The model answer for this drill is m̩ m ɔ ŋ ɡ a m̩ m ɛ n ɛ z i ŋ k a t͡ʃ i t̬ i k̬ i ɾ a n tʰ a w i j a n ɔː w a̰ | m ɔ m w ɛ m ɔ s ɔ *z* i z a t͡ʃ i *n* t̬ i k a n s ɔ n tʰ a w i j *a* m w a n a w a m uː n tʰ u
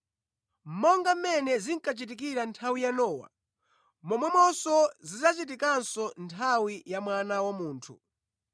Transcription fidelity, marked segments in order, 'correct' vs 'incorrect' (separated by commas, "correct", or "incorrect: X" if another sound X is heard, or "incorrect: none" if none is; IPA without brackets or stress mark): correct, incorrect: none, correct